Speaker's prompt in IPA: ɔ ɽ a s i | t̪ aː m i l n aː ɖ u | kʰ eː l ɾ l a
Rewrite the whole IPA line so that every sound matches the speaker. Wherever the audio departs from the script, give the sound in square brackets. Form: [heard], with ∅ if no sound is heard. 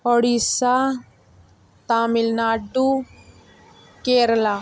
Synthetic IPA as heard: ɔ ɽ [i] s [a] | t̪ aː m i l n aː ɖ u | [k] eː [∅] ɾ l a

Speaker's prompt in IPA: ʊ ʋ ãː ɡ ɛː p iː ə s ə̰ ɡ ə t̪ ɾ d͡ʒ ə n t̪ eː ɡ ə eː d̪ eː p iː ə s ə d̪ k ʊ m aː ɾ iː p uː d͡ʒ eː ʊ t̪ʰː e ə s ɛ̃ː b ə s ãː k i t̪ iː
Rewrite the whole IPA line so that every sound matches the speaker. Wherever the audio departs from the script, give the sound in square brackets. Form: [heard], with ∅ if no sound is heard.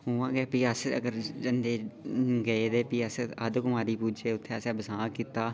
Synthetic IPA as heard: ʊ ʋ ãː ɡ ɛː p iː ə s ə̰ ɡ ə [∅] ɾ d͡ʒ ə n [d̪] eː ɡ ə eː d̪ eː p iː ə s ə d̪ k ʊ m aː ɾ iː p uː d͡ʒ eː ʊ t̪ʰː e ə s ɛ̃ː b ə s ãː k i t̪ [aː]

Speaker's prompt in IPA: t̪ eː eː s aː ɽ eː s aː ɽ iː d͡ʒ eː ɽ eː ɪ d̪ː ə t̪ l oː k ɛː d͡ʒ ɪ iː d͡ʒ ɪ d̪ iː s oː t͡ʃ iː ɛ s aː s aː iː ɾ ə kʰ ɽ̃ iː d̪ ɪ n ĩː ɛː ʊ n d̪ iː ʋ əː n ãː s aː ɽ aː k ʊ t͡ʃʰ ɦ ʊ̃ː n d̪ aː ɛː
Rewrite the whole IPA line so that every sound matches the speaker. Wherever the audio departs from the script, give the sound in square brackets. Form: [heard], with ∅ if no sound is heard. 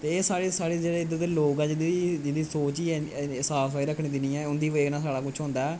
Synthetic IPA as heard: t̪ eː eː s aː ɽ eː s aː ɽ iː d͡ʒ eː ɽ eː ɪ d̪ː ə t̪ l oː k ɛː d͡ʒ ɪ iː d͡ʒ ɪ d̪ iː s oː t͡ʃ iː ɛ s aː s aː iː ɾ ə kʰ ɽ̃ iː d̪ ɪ n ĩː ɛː ʊ n d̪ iː ʋ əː n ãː s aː ɽ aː k ʊ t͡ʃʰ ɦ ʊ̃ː n d̪ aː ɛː

